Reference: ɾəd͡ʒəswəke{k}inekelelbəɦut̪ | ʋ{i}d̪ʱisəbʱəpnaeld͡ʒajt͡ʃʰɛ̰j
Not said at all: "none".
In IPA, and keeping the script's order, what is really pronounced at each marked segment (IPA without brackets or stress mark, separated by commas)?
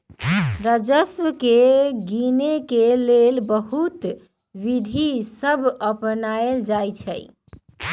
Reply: ɡ, i